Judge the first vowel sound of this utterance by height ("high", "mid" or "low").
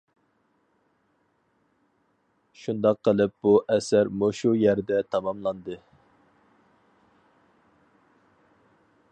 high